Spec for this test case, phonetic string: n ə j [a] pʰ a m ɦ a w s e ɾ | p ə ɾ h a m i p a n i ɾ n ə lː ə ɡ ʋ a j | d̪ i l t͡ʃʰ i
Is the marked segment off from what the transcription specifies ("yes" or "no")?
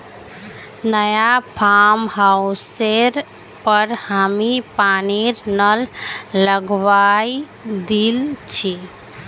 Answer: no